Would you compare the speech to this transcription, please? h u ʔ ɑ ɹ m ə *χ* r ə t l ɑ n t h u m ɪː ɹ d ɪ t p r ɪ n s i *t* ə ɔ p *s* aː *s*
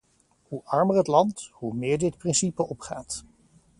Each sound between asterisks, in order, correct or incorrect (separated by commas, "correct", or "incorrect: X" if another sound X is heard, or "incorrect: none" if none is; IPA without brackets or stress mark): incorrect: none, incorrect: p, incorrect: χ, incorrect: t